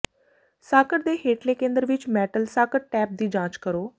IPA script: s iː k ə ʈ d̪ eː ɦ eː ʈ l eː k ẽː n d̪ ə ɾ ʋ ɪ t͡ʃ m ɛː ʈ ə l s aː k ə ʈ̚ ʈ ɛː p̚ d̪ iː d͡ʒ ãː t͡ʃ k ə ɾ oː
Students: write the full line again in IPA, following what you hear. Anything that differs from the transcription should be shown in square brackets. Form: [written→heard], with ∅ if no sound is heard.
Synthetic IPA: s [iː→aː] k ə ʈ d̪ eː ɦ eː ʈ l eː k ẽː n d̪ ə ɾ ʋ ɪ t͡ʃ m ɛː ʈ ə l s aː k ə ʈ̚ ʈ ɛː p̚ d̪ iː d͡ʒ ãː t͡ʃ k ə ɾ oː